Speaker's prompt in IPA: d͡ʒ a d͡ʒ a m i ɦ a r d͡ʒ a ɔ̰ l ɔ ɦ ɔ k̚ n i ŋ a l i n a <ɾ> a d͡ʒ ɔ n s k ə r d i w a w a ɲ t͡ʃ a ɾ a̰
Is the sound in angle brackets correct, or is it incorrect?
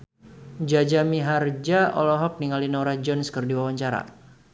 correct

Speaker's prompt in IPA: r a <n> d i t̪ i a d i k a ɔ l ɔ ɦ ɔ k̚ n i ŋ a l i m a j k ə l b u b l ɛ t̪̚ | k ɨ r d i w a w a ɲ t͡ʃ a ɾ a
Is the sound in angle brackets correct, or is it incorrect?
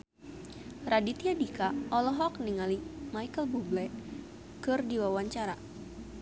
incorrect: none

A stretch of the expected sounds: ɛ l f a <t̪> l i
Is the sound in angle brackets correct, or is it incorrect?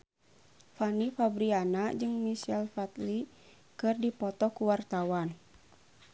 correct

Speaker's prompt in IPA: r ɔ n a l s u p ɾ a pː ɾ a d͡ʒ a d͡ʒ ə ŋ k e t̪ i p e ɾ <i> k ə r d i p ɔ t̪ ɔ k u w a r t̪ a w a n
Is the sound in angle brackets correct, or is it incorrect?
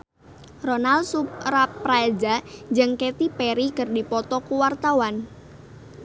correct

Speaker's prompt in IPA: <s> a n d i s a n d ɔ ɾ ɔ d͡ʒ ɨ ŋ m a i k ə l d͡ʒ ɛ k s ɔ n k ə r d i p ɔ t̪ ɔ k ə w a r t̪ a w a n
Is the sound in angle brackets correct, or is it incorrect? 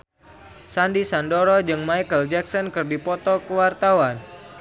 correct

